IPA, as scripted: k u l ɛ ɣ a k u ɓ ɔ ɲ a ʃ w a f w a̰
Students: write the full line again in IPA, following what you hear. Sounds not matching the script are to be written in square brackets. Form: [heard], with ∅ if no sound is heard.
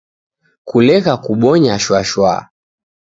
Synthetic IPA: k u l ɛ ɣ a k u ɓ ɔ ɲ a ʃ w a [ʃ] w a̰